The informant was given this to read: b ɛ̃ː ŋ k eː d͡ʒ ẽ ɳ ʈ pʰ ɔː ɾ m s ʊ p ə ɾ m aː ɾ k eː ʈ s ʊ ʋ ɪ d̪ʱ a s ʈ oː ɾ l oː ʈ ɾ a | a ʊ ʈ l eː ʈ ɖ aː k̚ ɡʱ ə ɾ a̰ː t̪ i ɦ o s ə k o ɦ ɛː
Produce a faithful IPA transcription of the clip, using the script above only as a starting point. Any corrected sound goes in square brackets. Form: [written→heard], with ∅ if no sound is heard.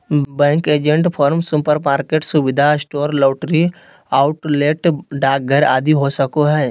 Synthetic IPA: b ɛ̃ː ŋ k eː d͡ʒ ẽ ɳ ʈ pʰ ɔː ɾ m s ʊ p ə ɾ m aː ɾ k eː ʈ s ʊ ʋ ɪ d̪ʱ a s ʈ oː ɾ l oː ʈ ɾ [a→i] | a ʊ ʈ l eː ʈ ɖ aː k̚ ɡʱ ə ɾ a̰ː [t̪→d̪] i ɦ o s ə k o ɦ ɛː